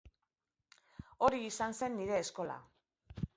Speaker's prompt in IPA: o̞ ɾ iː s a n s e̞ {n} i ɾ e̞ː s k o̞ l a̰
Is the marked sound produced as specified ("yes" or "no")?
no